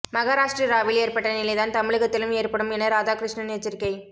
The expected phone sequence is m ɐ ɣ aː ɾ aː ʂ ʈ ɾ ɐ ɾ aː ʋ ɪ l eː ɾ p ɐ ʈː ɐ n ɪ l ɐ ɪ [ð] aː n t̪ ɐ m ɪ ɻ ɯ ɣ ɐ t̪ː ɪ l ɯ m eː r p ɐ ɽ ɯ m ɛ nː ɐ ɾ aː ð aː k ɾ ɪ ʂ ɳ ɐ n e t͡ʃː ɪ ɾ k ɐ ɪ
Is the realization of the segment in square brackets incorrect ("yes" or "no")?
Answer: no